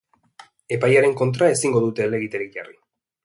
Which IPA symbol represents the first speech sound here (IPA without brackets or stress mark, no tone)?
e̞